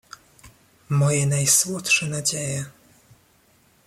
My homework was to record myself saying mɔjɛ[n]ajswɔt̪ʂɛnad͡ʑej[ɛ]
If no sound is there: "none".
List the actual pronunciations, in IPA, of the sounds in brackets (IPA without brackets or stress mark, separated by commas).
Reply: n, ɛ